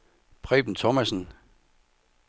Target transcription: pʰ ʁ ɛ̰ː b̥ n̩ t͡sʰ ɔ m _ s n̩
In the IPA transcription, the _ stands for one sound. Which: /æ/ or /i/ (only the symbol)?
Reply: æ